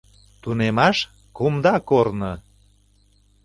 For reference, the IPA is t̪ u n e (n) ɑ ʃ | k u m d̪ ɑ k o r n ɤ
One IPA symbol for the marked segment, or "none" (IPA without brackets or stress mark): m